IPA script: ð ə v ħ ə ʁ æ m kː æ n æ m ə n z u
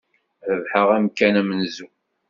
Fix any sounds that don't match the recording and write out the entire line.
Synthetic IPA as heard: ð ə v ħ ə ʁ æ m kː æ n æ m ə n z u